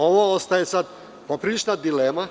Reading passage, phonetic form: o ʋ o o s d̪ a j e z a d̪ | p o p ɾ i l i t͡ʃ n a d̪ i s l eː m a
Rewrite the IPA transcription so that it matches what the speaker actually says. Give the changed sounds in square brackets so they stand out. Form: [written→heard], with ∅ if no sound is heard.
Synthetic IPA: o ʋ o o s [d̪→t̪] a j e [z→s] a d̪ | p o p ɾ i l i t͡ʃ n a d̪ i [s→∅] l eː m a